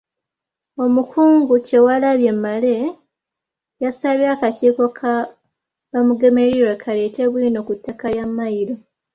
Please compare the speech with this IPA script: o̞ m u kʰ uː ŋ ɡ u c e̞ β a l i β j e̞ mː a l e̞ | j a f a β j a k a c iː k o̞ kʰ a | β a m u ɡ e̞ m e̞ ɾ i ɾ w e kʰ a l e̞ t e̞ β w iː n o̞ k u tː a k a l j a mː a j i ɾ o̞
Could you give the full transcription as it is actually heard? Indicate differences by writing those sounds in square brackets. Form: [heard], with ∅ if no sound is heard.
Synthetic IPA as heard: o̞ m u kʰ uː ŋ ɡ u c e̞ [w] a l [a] β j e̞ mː a l e̞ | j a [s] a β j a k a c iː k o̞ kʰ a | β a m u ɡ e̞ m e̞ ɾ i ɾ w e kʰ a l e̞ t e̞ β w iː n o̞ k u tː a k a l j a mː a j i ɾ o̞